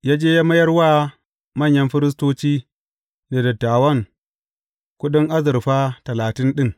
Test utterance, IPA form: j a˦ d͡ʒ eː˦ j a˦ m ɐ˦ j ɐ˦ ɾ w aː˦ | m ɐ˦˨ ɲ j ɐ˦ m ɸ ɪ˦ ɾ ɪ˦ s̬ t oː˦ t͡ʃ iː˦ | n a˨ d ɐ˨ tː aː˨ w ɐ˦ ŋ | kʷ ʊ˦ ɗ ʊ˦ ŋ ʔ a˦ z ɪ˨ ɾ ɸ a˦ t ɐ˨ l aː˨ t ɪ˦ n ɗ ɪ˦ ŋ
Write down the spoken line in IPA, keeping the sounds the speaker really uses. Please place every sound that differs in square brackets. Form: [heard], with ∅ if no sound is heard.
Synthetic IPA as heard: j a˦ d͡ʒ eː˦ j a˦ m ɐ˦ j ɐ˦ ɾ w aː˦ | m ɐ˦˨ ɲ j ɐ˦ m ɸ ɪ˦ ɾ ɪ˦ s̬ t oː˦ t͡ʃ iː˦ | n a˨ d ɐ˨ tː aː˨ w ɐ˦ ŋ | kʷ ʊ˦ ɗ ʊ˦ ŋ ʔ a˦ z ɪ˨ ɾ ɸ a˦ t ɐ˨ l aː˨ t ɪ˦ n ɗ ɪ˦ ŋ